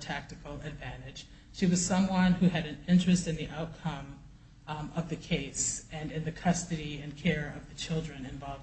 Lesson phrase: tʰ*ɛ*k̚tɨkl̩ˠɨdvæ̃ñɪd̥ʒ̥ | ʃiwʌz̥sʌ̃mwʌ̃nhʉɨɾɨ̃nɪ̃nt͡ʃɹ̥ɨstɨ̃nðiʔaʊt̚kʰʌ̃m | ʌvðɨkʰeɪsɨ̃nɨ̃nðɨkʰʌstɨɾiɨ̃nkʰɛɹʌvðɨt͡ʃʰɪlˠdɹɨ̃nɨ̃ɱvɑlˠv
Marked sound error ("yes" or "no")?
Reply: yes